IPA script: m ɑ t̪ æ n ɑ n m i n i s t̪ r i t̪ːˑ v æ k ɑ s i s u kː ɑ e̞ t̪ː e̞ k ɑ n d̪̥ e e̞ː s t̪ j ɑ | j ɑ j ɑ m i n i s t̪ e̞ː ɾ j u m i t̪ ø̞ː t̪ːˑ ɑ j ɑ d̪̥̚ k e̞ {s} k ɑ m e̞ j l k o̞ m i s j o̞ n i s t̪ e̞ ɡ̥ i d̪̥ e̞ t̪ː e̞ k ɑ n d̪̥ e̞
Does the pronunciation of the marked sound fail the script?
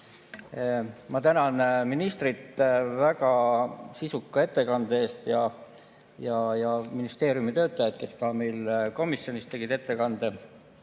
no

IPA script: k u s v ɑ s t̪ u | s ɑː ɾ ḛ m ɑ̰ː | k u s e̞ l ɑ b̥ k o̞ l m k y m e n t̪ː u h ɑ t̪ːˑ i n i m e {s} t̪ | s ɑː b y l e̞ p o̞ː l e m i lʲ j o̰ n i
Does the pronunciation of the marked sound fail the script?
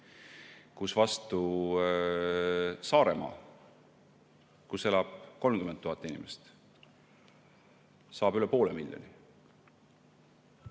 no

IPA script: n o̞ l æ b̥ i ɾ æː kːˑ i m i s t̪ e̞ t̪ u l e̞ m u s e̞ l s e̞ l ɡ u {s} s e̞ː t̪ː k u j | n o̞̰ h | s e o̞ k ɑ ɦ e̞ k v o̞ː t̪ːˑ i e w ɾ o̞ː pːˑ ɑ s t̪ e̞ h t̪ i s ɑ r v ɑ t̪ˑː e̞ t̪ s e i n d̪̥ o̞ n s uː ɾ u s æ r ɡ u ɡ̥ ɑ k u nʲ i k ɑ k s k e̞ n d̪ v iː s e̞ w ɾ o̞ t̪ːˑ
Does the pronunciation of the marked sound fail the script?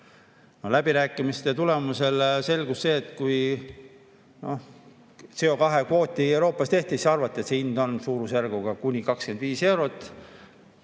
no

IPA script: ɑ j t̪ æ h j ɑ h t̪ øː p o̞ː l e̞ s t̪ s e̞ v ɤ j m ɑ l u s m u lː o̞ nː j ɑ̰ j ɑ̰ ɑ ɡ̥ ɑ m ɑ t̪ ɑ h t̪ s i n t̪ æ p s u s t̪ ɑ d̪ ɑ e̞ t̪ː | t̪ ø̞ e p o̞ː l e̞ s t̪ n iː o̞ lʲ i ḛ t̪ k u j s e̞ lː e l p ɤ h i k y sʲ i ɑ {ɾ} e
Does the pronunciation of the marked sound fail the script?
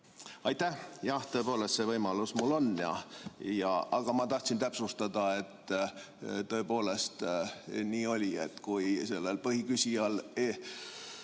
yes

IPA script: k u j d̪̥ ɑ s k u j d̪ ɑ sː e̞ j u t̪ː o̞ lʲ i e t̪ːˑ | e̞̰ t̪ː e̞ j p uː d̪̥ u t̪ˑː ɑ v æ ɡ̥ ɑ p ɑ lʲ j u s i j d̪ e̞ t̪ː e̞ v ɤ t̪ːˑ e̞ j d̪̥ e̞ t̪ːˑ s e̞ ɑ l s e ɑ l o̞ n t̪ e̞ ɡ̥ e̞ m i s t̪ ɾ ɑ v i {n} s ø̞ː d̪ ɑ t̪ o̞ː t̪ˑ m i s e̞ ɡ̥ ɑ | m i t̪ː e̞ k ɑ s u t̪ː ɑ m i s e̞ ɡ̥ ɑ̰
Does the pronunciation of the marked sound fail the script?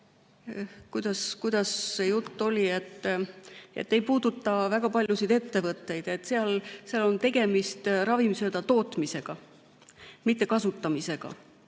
yes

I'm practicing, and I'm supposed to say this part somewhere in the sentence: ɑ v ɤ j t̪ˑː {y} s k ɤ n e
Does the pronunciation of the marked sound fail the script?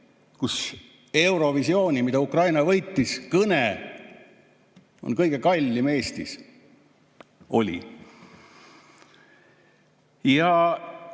yes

